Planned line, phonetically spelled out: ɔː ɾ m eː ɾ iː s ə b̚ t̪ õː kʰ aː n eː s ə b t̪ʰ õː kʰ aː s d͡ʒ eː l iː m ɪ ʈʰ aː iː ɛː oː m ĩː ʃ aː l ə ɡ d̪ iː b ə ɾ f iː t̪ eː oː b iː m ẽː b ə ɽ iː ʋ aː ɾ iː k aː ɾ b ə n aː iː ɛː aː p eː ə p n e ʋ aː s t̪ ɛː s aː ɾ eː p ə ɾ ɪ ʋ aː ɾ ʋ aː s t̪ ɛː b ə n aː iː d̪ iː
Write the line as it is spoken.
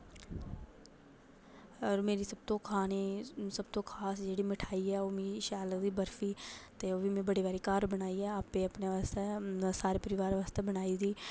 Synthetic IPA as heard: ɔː ɾ m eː ɾ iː s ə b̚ t̪ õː kʰ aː n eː s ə b t̪ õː kʰ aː s d͡ʒ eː ɽ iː m ɪ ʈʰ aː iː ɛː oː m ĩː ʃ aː l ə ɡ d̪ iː b ə ɾ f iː t̪ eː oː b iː m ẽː b ə ɽ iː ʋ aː ɾ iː k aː ɾ b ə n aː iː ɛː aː p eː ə p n e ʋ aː s t̪ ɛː s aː ɾ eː p ə ɾ ɪ ʋ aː ɾ ʋ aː s t̪ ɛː b ə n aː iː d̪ iː